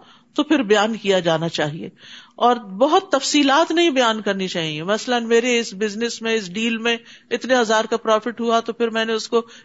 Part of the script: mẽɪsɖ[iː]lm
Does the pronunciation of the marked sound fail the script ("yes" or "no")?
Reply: no